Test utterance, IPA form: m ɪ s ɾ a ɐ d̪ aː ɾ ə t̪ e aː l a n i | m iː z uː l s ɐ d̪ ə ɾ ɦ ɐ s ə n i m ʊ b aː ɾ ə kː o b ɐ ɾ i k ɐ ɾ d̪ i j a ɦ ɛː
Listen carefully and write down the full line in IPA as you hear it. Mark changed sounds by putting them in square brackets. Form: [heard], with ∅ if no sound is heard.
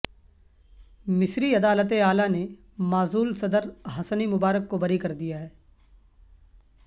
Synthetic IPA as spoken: m ɪ s ɾ [i] ɐ d̪ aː [l] ə t̪ e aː l a n [e] | m [aː] z uː l s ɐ d̪ ə ɾ ɦ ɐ s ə n i m ʊ b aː ɾ ə kː o b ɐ ɾ i k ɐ ɾ d̪ i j a ɦ ɛː